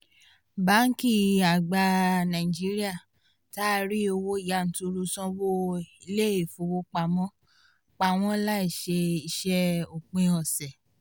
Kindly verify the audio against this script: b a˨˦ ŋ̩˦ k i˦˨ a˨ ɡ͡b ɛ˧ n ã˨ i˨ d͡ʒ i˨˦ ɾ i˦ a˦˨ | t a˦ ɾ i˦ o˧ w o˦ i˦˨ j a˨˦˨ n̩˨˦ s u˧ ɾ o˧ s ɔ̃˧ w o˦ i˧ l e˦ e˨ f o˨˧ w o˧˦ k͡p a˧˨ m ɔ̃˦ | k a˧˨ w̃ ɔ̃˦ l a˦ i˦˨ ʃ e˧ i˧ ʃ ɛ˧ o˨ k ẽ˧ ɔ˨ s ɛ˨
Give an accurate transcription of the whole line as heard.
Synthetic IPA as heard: b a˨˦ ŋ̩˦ k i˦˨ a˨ ɡ͡b a˧ n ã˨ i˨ d͡ʒ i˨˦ ɾ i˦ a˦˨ | t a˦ ɾ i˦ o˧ w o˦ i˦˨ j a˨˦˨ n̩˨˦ t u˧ ɾ u˧ s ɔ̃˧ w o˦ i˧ l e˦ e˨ f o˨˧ w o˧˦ k͡p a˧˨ m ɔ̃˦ | k͡p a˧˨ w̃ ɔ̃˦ l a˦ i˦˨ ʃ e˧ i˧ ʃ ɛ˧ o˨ k͡p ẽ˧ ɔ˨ s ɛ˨